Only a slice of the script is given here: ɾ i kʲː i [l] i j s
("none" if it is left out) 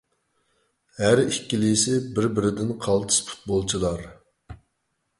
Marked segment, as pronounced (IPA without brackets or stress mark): l